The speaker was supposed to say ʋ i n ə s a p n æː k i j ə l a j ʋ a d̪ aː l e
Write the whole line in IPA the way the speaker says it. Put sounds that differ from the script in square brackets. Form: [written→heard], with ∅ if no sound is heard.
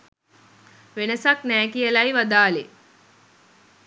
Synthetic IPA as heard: ʋ [i→e] n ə s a [p→k] n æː k i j ə l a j ʋ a d̪ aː l e